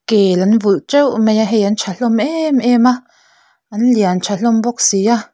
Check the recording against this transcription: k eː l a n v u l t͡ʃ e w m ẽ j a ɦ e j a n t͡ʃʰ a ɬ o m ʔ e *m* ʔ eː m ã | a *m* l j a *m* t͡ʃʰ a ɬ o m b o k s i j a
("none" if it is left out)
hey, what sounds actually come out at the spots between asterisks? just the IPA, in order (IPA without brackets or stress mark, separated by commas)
m, n, n